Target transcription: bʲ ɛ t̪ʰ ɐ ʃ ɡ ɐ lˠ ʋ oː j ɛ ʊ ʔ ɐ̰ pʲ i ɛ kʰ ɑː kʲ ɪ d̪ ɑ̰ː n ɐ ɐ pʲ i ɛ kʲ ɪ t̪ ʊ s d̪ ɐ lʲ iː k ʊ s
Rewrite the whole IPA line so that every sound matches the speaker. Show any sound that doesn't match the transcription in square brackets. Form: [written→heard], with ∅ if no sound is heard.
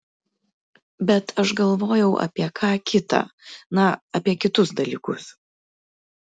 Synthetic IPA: bʲ ɛ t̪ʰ ɐ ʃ ɡ ɐ lˠ ʋ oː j ɛ ʊ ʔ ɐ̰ pʲ i ɛ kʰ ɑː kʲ ɪ [d̪→t̪] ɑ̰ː n ɐ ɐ pʲ i ɛ kʲ ɪ t̪ ʊ s d̪ ɐ lʲ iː k ʊ s